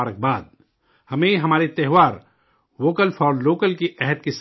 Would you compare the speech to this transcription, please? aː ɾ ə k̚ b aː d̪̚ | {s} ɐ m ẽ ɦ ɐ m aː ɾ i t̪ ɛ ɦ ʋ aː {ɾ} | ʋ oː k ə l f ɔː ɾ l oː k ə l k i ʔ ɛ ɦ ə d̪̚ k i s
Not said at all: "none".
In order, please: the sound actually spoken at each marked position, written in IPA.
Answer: h, ɾ

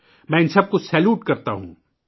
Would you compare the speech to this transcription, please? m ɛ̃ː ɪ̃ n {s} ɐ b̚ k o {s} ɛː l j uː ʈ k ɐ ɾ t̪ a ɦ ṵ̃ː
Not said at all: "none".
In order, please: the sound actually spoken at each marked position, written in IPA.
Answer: s, s

